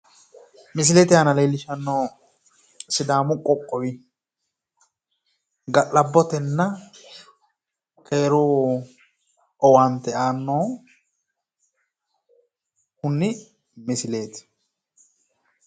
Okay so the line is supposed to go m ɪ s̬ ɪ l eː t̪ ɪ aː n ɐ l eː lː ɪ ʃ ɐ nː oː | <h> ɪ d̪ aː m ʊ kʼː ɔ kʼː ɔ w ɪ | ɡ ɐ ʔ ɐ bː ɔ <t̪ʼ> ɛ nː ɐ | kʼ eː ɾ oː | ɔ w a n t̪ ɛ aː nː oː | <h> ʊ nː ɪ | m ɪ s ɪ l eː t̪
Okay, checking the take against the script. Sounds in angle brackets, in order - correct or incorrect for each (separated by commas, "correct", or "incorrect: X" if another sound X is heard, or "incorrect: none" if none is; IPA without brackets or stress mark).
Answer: incorrect: s, incorrect: t̪, correct